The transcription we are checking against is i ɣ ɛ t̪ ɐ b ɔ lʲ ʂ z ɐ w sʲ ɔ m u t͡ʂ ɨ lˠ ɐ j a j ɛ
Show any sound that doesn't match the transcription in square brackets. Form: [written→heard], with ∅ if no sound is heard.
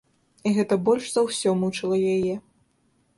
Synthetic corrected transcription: i ɣ ɛ t̪ ɐ b ɔ lʲ ʂ z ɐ w sʲ ɔ m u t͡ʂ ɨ lˠ ɐ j a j ɛ